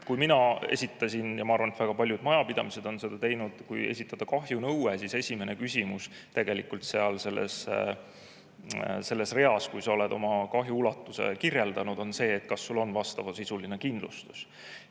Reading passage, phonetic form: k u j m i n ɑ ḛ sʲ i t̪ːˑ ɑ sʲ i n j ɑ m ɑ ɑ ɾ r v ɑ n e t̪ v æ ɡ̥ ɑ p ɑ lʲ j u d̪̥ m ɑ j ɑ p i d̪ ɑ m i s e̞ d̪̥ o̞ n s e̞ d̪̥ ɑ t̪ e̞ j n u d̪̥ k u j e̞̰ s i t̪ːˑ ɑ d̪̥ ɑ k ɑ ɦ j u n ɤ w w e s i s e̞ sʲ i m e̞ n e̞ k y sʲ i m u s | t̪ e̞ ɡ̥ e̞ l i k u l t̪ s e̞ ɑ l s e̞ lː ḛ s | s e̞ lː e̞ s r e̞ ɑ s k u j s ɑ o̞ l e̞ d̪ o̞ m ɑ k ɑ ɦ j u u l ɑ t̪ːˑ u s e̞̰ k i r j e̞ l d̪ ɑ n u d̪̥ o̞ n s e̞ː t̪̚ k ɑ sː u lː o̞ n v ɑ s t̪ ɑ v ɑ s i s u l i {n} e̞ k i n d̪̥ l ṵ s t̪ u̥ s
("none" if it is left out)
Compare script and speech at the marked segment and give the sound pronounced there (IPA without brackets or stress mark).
n